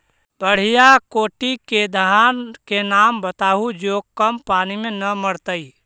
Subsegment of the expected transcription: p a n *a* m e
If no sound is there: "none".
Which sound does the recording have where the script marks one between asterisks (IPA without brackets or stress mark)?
i